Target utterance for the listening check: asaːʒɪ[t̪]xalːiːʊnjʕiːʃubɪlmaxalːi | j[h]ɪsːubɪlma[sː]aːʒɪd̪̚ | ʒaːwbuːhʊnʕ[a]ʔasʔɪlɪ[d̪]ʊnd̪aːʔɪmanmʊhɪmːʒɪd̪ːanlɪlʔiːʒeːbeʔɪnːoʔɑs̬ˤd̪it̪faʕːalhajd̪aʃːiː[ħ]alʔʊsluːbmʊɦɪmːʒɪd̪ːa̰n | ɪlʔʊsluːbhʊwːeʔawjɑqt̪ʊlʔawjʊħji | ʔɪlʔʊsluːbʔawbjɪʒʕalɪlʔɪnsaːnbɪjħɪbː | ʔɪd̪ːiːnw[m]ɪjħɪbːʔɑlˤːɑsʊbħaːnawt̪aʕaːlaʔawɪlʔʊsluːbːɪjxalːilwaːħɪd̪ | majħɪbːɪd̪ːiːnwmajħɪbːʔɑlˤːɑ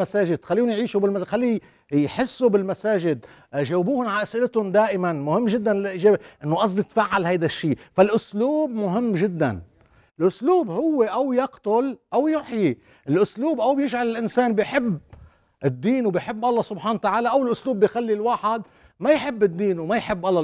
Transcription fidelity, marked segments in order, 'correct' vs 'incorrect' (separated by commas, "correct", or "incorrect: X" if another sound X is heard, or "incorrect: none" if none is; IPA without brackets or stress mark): incorrect: d̪, incorrect: ħ, incorrect: s, correct, incorrect: t̪, incorrect: f, incorrect: b